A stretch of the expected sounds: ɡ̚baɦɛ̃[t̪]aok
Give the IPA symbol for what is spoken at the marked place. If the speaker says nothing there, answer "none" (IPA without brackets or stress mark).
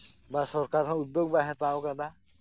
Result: t̪